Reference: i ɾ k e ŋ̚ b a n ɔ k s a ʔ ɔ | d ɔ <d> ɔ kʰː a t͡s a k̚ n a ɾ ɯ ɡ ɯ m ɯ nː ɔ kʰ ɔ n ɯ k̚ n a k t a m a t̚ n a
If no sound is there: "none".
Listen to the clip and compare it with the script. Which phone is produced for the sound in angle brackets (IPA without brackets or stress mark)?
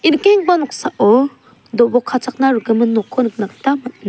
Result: b